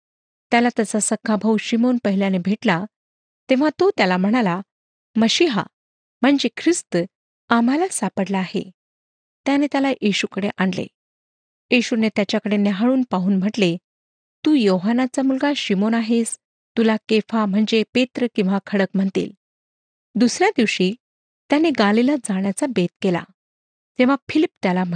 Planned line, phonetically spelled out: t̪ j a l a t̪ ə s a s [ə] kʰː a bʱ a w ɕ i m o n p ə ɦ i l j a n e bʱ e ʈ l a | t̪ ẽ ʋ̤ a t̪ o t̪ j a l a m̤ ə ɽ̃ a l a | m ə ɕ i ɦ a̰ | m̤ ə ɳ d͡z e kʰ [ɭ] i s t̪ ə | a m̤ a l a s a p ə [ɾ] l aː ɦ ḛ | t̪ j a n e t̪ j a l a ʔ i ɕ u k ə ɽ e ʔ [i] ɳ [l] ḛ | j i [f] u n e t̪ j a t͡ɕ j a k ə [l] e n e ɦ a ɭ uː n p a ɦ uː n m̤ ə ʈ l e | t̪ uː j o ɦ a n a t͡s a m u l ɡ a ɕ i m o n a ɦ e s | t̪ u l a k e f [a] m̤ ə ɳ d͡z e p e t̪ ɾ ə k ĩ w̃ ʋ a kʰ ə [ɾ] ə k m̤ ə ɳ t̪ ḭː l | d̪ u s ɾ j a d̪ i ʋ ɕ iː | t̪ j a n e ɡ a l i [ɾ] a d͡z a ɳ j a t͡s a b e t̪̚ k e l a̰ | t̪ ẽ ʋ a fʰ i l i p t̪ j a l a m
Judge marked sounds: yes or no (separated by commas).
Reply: yes, no, no, no, yes, no, no, yes, no, no